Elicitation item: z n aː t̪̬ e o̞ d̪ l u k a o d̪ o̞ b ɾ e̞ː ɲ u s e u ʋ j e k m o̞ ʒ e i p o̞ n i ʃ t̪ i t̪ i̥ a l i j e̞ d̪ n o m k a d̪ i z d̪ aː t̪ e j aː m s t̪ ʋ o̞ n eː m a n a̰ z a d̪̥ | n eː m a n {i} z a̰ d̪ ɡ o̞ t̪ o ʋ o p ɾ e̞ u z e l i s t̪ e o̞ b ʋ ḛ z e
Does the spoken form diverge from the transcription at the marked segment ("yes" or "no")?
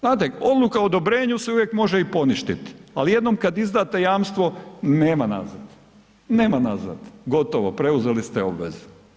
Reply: yes